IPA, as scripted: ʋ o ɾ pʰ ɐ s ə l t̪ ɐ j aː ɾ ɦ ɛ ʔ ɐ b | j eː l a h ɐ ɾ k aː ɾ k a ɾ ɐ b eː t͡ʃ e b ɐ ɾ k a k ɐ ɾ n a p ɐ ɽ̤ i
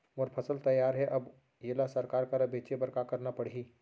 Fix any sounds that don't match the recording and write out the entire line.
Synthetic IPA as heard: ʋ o ɾ pʰ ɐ s ə l t̪ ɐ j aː ɾ ɦ ɛ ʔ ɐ b | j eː l a s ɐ ɾ k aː ɾ k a ɾ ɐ b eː t͡ʃ e b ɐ ɾ k a k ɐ ɾ n a p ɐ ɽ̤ i